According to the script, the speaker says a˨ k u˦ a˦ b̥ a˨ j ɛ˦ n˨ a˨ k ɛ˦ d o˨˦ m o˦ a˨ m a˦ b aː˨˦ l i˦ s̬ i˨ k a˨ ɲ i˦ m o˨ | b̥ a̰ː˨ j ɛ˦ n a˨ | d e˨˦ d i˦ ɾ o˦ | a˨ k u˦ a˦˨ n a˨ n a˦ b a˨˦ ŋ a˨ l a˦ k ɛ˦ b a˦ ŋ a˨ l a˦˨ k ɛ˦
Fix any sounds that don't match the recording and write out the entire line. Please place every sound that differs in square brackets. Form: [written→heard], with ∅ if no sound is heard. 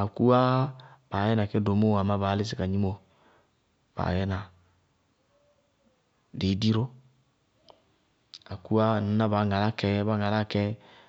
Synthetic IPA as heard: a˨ k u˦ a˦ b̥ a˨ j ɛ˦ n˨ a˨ k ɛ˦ d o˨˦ m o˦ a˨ m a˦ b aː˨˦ l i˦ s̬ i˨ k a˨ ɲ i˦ m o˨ | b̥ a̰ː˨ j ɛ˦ n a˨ | d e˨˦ d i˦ ɾ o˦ | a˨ k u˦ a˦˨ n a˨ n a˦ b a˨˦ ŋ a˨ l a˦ k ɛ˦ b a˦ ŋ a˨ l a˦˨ k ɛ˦